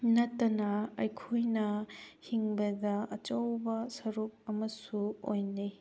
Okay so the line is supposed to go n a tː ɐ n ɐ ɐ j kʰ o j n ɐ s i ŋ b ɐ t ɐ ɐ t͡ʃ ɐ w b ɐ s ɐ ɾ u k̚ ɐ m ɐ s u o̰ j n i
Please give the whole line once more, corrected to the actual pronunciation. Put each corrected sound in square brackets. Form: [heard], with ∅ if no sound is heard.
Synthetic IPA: n [ɐ] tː ɐ n ɐ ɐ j kʰ o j n ɐ [h] i ŋ b ɐ [d] ɐ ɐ t͡ʃ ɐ w b ɐ s ɐ ɾ u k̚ ɐ m ɐ s u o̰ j n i